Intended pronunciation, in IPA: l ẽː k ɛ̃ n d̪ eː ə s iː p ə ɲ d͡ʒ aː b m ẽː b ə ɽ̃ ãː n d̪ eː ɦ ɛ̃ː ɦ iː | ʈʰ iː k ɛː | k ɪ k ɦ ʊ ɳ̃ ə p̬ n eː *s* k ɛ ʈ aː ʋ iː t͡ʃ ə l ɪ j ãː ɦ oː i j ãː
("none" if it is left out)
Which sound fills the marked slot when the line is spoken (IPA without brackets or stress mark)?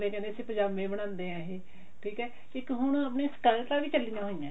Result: s